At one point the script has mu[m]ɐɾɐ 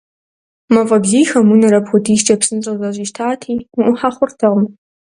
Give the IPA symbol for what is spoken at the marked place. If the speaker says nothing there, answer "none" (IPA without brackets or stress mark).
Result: n